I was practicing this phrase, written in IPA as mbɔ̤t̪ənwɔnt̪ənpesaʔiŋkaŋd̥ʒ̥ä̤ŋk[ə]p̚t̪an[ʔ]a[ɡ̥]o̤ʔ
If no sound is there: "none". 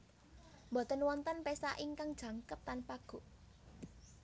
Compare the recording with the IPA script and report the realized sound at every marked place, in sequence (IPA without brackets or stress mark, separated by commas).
ə, p, ɡ̥